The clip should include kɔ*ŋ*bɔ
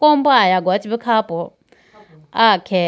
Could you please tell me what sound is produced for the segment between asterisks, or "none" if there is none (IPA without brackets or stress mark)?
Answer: m